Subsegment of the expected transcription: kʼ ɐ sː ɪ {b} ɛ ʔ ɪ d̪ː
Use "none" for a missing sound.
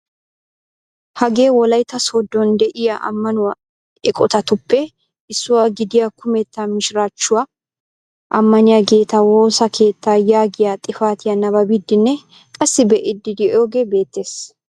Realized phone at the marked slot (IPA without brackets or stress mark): b